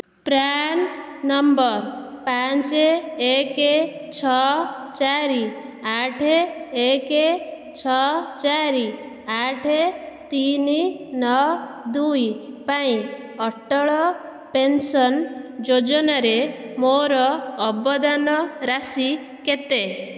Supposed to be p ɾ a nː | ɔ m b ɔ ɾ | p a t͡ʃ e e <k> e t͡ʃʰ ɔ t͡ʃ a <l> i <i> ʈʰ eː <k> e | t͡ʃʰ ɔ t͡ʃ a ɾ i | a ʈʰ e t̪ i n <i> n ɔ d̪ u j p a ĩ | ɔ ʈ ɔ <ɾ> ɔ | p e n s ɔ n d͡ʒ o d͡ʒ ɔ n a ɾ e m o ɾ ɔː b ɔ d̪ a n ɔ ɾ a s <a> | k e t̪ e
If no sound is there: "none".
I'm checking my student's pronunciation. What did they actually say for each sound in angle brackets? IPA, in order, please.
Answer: k, ɾ, a, k, i, ɭ, i

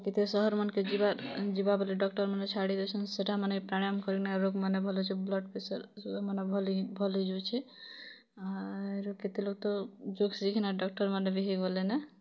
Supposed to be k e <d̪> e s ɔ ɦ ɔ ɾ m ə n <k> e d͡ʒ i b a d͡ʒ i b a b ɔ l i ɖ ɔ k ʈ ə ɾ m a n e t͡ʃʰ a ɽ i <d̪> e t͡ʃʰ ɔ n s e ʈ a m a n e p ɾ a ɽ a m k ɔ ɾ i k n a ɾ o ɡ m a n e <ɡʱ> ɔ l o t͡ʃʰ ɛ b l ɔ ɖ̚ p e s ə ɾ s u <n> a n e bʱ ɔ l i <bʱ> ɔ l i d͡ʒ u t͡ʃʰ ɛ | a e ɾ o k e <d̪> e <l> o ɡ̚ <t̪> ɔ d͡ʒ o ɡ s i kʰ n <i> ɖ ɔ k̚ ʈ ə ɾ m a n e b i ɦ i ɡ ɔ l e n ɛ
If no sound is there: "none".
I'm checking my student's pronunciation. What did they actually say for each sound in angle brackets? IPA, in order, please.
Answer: t̪, k, d̪, bʱ, m, bʱ, t̪, l, t̪, a

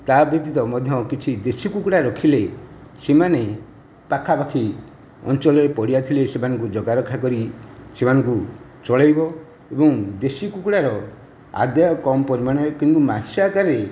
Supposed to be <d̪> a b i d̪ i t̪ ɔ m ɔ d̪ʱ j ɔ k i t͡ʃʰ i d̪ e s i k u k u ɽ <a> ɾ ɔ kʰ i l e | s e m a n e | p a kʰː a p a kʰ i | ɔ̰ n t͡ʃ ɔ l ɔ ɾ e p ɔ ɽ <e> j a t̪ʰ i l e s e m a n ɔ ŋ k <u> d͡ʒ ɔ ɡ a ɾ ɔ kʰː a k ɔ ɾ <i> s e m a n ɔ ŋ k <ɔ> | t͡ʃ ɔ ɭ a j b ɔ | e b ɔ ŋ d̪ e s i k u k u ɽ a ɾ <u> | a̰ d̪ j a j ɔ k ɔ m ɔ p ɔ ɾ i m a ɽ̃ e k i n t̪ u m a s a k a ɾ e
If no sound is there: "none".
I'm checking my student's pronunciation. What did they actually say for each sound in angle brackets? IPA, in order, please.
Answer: t̪, a, i, u, i, u, ɔ

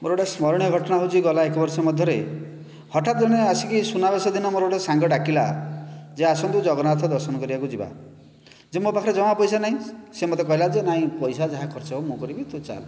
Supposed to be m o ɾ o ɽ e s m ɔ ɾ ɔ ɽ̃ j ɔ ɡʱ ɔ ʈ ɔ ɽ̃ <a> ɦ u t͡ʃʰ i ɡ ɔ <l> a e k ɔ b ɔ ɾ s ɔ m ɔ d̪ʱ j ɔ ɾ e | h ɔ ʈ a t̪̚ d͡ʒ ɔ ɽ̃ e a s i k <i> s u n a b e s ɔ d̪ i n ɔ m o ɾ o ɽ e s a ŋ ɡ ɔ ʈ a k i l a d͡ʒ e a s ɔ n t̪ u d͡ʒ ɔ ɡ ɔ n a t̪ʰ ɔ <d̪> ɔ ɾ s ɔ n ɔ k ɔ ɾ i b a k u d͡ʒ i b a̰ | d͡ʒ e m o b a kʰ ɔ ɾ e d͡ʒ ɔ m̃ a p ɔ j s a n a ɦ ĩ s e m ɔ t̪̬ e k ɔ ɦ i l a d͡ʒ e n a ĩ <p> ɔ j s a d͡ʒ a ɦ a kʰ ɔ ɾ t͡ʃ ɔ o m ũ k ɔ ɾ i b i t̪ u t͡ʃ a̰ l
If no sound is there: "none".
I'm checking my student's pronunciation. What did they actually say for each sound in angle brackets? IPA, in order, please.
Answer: a, l, i, d̪, p

